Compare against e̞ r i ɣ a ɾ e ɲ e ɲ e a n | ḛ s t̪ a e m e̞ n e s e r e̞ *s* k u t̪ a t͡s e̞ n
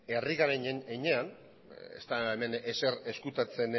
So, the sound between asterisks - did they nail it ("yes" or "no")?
yes